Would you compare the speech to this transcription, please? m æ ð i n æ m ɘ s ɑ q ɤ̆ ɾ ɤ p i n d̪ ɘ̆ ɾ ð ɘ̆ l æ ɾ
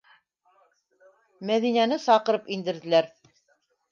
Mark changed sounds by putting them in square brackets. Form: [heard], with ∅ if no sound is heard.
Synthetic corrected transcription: m æ ð i n æ [n] ɘ s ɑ q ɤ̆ ɾ ɤ p i n d̪ ɘ̆ ɾ ð ɘ̆ l æ ɾ